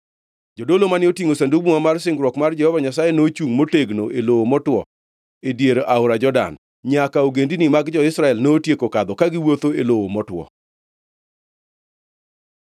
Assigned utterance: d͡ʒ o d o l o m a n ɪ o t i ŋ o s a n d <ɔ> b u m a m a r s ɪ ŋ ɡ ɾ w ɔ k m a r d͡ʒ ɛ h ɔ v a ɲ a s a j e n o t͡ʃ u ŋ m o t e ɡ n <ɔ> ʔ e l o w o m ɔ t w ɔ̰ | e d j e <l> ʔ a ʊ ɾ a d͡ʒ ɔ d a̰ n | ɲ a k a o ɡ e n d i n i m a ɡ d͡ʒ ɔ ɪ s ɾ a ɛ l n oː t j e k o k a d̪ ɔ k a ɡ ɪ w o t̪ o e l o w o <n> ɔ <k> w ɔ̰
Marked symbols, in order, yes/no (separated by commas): no, no, no, no, no